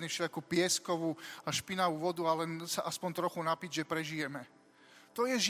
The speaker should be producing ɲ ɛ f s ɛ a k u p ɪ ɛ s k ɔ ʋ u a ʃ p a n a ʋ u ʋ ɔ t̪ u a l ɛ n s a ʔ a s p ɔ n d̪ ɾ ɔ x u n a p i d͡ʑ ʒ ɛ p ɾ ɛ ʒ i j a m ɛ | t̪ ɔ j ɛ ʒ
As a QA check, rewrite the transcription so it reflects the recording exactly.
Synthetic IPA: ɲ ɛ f ʃ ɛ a k u p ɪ ɛ s k ɔ ʋ u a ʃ p i n a ʋ u ʋ ɔ d̪ u a l ɛ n s a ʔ a s p ɔ n t̪ ɾ ɔ x u n a p i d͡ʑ ʒ ɛ p ɾ ɛ ʒ i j ɛ m ɛ | t̪ ɔ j ɛ ʒ